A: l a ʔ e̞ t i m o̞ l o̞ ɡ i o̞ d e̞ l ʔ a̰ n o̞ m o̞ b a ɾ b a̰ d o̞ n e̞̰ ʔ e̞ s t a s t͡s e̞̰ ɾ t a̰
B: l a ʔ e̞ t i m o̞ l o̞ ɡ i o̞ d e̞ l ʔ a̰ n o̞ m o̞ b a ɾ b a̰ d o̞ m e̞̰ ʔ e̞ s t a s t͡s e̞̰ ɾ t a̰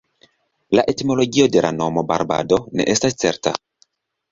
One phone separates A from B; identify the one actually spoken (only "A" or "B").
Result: A